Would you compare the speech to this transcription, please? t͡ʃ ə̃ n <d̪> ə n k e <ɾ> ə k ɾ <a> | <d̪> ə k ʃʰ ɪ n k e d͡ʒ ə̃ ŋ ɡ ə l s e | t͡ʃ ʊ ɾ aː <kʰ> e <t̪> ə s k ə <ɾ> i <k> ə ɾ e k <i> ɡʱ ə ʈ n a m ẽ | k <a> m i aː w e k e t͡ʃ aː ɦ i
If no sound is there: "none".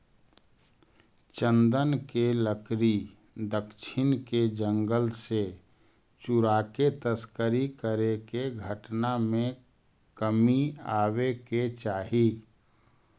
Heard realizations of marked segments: d̪, l, i, d̪, k, t̪, ɾ, k, e, ə

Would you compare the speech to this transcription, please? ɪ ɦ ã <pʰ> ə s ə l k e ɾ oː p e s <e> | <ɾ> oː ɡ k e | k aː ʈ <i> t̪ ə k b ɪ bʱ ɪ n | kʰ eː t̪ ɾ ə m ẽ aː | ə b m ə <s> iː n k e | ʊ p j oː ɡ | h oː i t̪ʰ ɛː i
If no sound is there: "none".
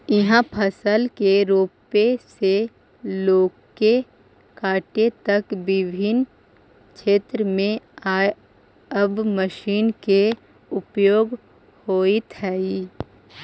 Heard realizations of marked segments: pʰ, e, l, e, ʃ

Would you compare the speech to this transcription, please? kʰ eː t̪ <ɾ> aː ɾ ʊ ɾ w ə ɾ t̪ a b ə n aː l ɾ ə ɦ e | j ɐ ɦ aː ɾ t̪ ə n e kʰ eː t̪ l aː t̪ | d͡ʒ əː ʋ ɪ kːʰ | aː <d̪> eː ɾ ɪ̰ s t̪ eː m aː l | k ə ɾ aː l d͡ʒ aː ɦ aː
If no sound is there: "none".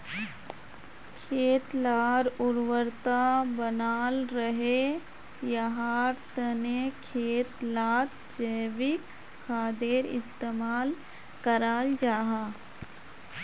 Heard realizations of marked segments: l, d̪

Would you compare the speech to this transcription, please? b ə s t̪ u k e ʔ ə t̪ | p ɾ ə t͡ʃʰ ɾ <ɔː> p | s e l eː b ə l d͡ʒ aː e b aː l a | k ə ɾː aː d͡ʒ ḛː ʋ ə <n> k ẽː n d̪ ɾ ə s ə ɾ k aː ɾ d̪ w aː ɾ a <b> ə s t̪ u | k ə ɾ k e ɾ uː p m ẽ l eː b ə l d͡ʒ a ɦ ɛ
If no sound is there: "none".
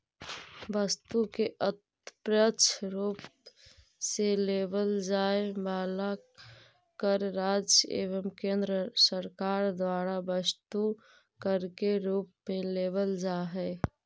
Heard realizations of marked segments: uː, m, b

